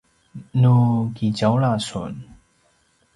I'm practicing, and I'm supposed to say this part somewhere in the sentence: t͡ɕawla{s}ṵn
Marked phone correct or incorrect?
correct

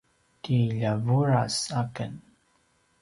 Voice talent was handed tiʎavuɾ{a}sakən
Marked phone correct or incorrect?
correct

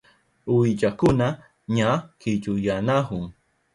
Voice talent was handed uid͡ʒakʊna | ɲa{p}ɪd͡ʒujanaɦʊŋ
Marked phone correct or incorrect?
incorrect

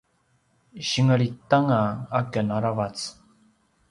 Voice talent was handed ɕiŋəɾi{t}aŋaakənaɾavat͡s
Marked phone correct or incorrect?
correct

